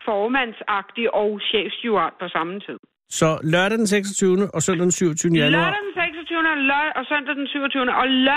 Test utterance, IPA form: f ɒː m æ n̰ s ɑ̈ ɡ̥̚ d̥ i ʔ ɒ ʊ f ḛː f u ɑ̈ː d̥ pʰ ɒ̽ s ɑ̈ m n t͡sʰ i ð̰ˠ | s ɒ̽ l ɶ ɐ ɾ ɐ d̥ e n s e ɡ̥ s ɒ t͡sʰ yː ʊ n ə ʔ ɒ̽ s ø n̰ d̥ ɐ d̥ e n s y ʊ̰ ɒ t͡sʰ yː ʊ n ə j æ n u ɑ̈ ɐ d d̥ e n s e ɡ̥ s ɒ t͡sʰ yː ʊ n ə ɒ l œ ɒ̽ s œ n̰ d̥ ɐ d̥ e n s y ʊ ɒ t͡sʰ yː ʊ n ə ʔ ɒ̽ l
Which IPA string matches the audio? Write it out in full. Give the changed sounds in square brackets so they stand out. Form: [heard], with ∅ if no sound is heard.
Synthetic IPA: f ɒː m æ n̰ s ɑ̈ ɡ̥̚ d̥ i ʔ ɒ ʊ [ɕ] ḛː f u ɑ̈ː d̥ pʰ ɒ̽ s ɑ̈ m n t͡sʰ i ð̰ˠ | s ɒ̽ l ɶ ɐ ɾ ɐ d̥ e n s e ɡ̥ s ɒ t͡sʰ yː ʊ n ə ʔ ɒ̽ s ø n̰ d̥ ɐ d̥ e n s y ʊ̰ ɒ t͡sʰ yː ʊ n ə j æ n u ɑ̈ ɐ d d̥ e n s e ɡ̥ s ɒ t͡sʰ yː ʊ n ə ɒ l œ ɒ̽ s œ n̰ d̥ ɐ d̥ e n s y ʊ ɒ t͡sʰ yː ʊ n ə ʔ ɒ̽ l